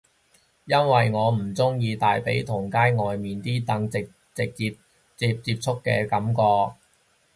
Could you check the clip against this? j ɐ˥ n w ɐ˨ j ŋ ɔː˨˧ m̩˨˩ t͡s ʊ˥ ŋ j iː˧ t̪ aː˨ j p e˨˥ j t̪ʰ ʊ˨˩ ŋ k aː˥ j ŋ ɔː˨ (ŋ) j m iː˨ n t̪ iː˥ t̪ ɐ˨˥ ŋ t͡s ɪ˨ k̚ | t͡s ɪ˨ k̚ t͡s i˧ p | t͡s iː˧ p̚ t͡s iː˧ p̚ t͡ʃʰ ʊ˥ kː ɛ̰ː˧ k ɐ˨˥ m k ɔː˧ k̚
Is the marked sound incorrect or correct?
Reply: incorrect